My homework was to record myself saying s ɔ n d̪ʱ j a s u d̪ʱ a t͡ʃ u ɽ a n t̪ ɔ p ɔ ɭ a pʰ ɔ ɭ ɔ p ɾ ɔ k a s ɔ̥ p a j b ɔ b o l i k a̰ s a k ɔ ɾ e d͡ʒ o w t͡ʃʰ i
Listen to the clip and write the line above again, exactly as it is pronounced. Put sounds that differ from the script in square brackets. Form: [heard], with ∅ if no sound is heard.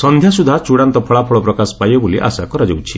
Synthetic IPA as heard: s ɔ n d̪ʱ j a s u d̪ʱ a t͡ʃ u ɽ a n t̪ ɔ [pʰ] ɔ ɭ a pʰ ɔ ɭ ɔ p ɾ ɔ k a s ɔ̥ p a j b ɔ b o l i [ʔ] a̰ s a k ɔ ɾ [a] d͡ʒ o w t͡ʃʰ i